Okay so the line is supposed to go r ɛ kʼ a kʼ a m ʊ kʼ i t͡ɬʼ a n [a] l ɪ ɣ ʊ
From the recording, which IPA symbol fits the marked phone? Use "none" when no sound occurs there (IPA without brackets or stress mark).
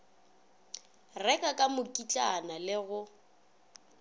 a